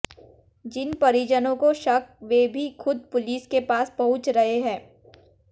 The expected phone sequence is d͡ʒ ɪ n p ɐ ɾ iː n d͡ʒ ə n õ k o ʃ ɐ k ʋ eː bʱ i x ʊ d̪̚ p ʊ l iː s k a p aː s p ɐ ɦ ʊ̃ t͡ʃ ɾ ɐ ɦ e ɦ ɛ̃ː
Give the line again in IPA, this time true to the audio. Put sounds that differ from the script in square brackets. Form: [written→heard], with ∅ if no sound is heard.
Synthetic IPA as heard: d͡ʒ ɪ n p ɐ ɾ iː [n→∅] d͡ʒ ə n õ k o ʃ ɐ k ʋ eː bʱ i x ʊ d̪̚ p ʊ l iː s k [a→e] p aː s p ɐ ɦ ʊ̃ t͡ʃ ɾ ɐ ɦ e ɦ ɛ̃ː